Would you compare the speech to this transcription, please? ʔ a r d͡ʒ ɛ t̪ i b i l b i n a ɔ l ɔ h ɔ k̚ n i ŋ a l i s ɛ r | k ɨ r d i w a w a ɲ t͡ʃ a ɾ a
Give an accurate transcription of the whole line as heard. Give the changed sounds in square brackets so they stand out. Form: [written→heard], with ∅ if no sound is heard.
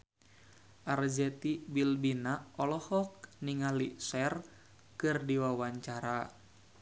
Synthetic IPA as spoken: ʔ a r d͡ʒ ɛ t̪ i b i l b i n a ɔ l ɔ h ɔ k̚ n i ŋ a l i s ɛ r | k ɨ r d i w a w a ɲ t͡ʃ a ɾ a

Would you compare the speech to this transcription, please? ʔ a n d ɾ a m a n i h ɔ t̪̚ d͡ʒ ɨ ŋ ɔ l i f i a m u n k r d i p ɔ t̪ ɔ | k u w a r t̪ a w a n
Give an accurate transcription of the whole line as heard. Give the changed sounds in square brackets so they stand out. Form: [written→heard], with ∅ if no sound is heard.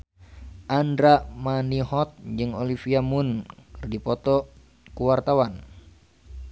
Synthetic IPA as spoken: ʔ a n d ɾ a m a n i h ɔ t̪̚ d͡ʒ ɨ ŋ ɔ l i f i a m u n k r d i p ɔ t̪ ɔ | k u w a r t̪ a w a n

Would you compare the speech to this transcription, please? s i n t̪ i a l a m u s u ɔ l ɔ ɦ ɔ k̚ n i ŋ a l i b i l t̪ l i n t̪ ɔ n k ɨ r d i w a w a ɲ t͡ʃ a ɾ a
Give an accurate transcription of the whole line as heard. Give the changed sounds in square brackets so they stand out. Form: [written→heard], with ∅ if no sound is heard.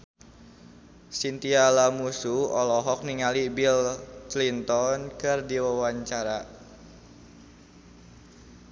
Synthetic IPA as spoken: s i n t̪ i a l a m u s u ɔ l ɔ ɦ ɔ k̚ n i ŋ a l i b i l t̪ l i n t̪ ɔ n k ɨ r d i w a w a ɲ t͡ʃ a ɾ a

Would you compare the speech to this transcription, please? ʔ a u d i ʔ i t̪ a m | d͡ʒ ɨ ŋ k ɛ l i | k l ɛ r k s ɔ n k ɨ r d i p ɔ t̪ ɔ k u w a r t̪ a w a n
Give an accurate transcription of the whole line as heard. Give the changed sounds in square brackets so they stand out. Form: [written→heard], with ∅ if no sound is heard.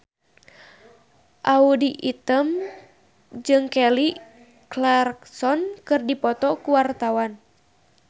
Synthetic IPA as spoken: ʔ a u d i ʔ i t̪ [a→ə] m | d͡ʒ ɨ ŋ k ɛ l i | k l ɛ r k s ɔ n k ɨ r d i p ɔ t̪ ɔ k u w a r t̪ a w a n

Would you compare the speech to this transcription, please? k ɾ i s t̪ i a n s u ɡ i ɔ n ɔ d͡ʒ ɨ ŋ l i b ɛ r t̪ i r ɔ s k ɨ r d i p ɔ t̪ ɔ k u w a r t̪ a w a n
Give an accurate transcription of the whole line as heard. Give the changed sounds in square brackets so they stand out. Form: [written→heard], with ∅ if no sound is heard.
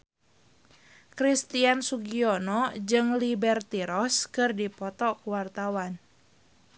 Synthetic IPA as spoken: k ɾ i s t̪ i a n s u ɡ i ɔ n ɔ d͡ʒ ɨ ŋ l i b ɛ r t̪ i [r→ɾ] ɔ s k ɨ r d i p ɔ t̪ ɔ k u w a r t̪ a w a n

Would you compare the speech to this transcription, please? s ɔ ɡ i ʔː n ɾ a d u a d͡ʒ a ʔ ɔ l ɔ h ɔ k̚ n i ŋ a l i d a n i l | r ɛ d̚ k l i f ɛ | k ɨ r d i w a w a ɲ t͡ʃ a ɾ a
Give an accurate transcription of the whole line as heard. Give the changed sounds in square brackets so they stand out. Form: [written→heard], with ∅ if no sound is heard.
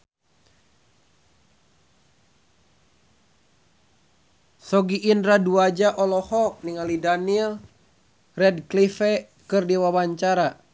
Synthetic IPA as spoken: s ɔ ɡ i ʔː n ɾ a d u a d͡ʒ a ʔ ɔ l ɔ h ɔ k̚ n i ŋ a l i d a n i l | r ɛ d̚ k l i f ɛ | k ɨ r d i w a w a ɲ t͡ʃ a ɾ a

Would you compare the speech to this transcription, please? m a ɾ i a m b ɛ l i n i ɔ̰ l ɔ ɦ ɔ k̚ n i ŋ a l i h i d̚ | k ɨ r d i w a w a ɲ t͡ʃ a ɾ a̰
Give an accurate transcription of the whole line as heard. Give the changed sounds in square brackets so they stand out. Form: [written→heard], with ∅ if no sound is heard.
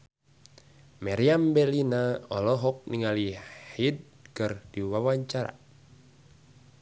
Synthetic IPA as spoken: m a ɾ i a m b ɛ l i n [i→a] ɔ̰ l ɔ ɦ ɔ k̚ n i ŋ a l i h i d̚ | k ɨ r d i w a w a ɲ t͡ʃ a ɾ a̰

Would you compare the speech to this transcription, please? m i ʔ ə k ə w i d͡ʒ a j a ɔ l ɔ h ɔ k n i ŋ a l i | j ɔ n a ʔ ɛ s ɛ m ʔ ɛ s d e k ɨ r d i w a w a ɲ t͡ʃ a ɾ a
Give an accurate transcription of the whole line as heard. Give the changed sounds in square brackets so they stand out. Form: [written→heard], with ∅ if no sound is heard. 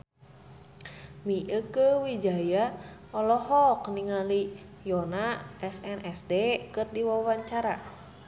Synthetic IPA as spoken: m i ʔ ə k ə w i d͡ʒ a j a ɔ l ɔ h ɔ k n i ŋ a l i | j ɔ n a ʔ ɛ s ɛ [m→n] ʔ ɛ s d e k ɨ r d i w a w a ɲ t͡ʃ a ɾ a

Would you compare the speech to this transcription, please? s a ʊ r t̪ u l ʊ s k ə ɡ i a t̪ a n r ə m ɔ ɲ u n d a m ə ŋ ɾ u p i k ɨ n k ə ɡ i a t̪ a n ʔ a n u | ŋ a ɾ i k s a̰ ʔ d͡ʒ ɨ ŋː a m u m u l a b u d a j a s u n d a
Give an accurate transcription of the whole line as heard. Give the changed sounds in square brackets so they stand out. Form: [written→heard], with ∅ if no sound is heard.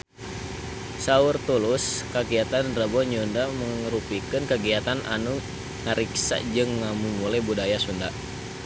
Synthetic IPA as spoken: s a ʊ r t̪ u l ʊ s k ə ɡ i a t̪ a n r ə [m→b] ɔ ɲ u n d a m ə ŋ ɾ u p i k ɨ n k ə ɡ i a t̪ a n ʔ a n u | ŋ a ɾ i k s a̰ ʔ d͡ʒ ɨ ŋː a m u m u l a b u d a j a s u n d a

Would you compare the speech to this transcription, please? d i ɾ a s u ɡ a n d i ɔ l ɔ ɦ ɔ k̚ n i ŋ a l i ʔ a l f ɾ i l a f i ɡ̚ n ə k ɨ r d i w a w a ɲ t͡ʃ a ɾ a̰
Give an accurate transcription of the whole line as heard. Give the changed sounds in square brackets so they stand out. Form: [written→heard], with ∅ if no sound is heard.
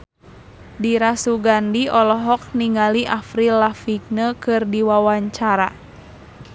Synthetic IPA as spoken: d i ɾ a s u ɡ a n d i ɔ l ɔ ɦ ɔ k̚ n i ŋ a l i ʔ a [l→∅] f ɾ i l a f i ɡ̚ n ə k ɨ r d i w a w a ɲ t͡ʃ a ɾ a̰

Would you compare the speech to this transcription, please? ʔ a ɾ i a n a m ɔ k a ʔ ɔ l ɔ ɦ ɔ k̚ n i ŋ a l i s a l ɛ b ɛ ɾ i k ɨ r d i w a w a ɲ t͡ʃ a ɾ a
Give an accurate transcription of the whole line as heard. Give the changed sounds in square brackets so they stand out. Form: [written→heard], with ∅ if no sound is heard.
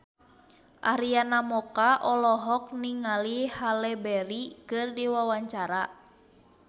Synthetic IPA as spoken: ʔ a ɾ i a n a m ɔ k a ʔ ɔ l ɔ ɦ ɔ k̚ n i ŋ a l i [s→h] a l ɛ b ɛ ɾ i k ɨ r d i w a w a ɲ t͡ʃ a ɾ a

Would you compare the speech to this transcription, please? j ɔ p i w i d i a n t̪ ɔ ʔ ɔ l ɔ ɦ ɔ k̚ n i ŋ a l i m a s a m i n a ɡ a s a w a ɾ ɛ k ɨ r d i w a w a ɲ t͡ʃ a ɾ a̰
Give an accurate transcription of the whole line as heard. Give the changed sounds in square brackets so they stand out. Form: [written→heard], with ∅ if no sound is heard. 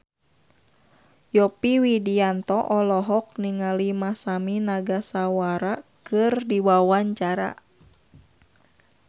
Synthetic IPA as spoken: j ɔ p i w i d i a n t̪ ɔ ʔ ɔ l ɔ ɦ ɔ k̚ n i ŋ a l i m a s a m i n a ɡ a s a w a ɾ [ɛ→a] k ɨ r d i w a w a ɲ t͡ʃ a ɾ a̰

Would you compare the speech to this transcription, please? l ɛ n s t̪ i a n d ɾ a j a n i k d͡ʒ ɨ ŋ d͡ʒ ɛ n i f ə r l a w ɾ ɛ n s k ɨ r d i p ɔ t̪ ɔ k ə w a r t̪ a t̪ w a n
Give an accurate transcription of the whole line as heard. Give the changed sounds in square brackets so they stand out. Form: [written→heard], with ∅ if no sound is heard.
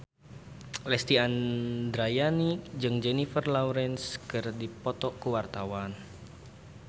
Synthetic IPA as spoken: l ɛ [n→∅] s t̪ i a n d ɾ a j a n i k d͡ʒ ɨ ŋ d͡ʒ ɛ n i f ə r l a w ɾ ɛ n s k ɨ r d i p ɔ t̪ ɔ k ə w a r t̪ a [t̪→∅] w a n

